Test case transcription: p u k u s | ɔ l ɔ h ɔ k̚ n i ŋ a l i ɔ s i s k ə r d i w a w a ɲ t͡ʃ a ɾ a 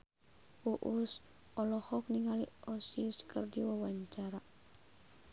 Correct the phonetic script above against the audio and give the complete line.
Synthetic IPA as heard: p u ʔ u s | ɔ l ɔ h ɔ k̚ n i ŋ a l i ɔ s i s k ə r d i w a w a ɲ t͡ʃ a ɾ a